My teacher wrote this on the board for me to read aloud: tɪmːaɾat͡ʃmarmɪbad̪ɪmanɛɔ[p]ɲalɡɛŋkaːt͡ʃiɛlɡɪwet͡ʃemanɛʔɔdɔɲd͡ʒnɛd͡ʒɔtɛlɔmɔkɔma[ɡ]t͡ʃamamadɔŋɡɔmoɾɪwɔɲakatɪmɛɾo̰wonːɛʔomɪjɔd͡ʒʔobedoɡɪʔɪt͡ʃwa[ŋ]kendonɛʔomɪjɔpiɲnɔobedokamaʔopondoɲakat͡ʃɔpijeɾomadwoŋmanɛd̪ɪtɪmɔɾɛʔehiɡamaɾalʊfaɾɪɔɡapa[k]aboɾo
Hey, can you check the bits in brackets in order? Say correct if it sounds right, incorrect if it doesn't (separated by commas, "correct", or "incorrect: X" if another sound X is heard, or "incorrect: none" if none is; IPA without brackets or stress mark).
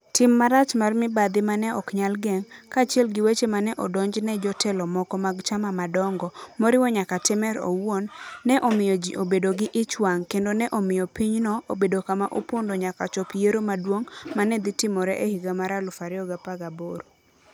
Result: incorrect: k, correct, correct, incorrect: ɡ